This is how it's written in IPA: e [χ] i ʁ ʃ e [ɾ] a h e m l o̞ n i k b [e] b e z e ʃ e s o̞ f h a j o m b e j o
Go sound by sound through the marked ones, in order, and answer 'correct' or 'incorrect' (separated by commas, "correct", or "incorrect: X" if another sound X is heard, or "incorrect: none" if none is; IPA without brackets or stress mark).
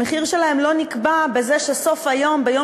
correct, incorrect: l, incorrect: a